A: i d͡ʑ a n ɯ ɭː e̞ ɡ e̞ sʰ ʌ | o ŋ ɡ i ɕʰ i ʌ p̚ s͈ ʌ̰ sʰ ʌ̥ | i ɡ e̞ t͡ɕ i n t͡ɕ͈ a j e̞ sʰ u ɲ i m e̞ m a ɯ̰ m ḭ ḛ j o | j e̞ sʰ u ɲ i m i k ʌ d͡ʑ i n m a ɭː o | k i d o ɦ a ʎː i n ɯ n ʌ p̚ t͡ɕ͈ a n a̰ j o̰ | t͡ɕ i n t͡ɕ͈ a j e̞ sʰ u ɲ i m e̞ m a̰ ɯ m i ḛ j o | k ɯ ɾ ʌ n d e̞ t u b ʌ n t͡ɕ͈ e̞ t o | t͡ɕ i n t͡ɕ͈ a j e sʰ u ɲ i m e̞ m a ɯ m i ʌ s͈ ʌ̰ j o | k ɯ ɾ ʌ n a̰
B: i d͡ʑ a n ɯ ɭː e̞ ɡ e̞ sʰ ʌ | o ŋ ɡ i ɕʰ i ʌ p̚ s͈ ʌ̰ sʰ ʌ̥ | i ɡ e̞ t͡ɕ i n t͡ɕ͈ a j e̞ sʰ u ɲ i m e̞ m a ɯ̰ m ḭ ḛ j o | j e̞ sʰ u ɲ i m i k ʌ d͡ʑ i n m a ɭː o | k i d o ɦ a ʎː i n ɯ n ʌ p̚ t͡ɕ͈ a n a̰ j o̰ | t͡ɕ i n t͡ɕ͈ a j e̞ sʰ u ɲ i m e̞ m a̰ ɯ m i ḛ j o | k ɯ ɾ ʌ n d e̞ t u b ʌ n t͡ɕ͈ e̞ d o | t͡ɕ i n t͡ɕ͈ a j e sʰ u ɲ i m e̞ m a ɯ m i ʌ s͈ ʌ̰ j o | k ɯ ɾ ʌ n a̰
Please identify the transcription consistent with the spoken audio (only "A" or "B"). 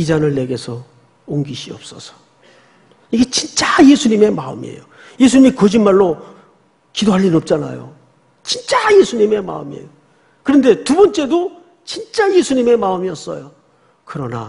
B